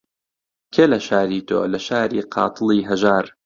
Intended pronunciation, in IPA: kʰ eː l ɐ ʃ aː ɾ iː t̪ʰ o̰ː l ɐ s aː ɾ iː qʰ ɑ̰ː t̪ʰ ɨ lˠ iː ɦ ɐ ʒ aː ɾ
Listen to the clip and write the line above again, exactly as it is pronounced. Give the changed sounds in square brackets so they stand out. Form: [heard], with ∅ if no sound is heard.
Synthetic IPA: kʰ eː l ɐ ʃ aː ɾ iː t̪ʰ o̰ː l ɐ [ʃ] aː ɾ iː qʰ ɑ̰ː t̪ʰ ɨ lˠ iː ɦ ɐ ʒ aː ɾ